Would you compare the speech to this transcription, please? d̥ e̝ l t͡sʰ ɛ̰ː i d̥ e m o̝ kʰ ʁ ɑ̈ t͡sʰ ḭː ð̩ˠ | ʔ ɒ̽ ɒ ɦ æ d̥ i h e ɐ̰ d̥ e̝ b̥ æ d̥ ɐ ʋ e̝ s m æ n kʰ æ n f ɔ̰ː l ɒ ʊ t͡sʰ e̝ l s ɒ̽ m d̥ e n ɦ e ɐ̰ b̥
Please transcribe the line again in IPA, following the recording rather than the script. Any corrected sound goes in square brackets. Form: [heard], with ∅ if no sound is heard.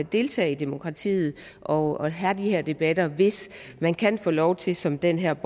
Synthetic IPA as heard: d̥ e̝ l t͡sʰ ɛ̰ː i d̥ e m o̝ kʰ ʁ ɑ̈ t͡sʰ ḭː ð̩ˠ | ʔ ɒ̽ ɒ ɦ æ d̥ i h e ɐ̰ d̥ e̝ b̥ æ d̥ ɐ ʋ e̝ s m æ n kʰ æ n f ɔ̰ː l ɒ ʊ t͡sʰ e̝ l s ɒ̽ m d̥ e n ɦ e ɐ̰ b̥